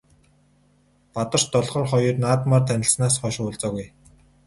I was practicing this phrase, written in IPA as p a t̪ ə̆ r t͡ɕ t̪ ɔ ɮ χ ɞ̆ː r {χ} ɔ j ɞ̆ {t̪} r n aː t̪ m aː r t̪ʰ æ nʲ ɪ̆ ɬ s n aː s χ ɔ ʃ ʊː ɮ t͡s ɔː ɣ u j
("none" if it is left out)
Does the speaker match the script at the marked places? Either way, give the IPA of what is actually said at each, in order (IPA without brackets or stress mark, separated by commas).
χ, none